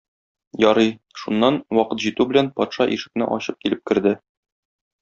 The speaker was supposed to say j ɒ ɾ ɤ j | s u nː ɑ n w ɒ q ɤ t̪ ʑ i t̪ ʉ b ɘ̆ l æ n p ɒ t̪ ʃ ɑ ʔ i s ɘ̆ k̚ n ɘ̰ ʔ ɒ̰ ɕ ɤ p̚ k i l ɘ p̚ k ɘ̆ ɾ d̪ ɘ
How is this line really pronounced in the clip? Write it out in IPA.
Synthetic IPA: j ɒ ɾ ɤ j | ʃ u nː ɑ n w ɒ q ɤ t̪ ʑ i t̪ ʉ b ɘ̆ l æ n p ɒ t̪ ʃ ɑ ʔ i ʃ ɘ̆ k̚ n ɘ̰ ʔ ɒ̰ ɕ ɤ p̚ k i l ɘ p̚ k ɘ̆ ɾ d̪ ɘ